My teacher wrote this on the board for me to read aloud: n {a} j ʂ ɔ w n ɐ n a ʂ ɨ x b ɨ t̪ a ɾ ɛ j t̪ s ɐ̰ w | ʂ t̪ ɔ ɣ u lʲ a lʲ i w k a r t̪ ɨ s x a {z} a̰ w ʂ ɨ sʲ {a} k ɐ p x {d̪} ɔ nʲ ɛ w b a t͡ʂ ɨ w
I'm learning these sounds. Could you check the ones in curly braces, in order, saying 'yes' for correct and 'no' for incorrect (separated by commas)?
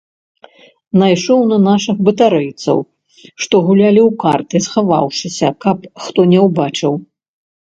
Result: yes, no, no, no